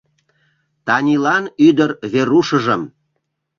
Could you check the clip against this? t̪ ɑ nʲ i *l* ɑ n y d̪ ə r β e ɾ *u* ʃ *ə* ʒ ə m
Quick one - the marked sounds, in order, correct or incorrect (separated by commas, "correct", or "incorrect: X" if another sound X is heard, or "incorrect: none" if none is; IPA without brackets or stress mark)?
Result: correct, correct, correct